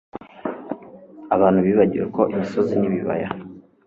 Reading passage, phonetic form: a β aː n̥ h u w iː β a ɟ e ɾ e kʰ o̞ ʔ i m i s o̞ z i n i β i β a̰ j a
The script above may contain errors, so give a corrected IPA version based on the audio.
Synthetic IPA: a β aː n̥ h u β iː β a ɟ i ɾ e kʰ o̞ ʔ i m i s o̞ z i n i β i β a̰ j a